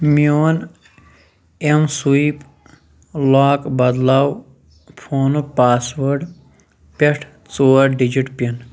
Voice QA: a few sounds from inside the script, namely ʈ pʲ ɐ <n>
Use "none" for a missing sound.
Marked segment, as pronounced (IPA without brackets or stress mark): n